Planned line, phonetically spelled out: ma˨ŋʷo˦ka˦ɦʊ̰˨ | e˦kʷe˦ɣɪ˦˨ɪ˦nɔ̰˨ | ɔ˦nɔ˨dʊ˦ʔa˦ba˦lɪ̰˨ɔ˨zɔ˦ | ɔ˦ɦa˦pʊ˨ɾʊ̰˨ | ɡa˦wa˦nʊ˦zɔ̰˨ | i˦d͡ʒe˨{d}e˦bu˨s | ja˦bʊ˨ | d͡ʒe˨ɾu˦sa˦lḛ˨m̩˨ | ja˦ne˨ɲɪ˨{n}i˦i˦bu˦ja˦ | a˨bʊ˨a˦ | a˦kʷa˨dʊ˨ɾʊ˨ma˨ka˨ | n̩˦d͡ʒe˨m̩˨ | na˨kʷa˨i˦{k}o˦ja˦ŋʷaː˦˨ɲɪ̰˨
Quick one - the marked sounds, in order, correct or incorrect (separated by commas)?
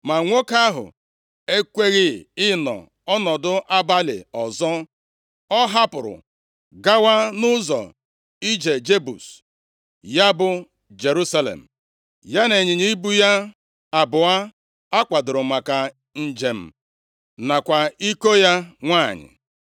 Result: incorrect, incorrect, correct